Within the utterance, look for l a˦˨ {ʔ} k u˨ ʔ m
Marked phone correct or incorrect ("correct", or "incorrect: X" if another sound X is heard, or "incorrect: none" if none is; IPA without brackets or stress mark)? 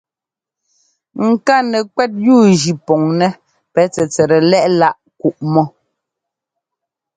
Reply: correct